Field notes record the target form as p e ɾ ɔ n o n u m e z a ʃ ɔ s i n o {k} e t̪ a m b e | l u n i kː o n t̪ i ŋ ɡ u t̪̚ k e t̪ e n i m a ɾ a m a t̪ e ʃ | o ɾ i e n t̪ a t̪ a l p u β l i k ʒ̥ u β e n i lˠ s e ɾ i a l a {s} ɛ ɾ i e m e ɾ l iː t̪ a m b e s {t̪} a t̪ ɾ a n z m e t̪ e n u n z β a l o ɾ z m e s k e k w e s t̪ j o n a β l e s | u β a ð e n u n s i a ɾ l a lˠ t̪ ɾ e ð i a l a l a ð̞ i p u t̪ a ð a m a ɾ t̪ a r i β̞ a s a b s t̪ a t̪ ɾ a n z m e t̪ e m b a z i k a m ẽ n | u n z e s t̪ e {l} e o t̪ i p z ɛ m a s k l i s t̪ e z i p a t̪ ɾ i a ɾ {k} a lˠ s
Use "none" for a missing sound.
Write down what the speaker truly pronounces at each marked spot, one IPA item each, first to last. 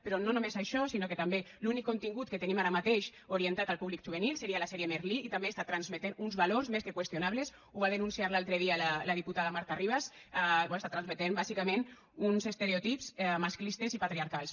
k, s, t̪, ɾ, k

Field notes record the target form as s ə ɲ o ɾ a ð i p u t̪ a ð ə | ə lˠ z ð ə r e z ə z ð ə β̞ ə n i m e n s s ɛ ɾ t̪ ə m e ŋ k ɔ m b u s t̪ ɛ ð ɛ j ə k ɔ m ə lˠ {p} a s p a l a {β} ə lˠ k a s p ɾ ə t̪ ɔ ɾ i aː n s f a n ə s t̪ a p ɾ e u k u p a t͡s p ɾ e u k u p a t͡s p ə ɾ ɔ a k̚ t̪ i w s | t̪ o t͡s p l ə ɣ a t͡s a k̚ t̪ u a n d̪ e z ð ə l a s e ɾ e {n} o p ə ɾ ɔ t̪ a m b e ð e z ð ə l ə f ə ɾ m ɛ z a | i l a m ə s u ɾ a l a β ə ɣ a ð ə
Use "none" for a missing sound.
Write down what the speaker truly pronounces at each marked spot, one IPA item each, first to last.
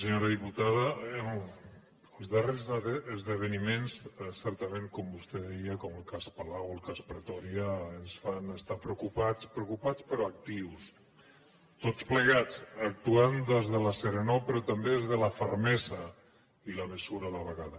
k, w, n

